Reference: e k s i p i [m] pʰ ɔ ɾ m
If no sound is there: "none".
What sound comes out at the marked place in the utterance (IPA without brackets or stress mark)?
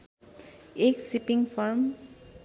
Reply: ŋ